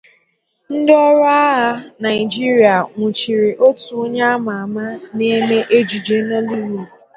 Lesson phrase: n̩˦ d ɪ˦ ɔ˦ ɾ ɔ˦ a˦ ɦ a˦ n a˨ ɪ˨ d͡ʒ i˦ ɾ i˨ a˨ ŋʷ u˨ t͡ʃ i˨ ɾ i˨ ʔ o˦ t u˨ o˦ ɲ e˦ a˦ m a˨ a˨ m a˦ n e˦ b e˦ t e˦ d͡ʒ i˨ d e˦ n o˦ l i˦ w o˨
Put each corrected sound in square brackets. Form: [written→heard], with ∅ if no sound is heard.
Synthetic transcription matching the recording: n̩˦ d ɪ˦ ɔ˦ ɾ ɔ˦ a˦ ɦ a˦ n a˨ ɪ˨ d͡ʒ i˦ ɾ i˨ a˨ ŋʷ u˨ t͡ʃ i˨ ɾ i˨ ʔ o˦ t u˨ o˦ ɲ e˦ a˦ m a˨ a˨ m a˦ n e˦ [b→m] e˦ [t→ʔ] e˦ d͡ʒ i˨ [d→d͡ʒ] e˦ n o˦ l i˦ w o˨